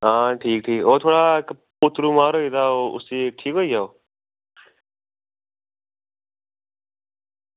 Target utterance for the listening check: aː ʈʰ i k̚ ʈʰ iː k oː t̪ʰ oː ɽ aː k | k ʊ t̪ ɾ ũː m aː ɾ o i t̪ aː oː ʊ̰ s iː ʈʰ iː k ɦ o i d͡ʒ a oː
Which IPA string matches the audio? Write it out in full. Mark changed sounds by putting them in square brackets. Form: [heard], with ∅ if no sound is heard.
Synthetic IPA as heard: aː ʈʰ [iː] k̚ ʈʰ iː k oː t̪ʰ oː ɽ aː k | [p] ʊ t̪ ɾ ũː m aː ɾ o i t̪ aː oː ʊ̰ s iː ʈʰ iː k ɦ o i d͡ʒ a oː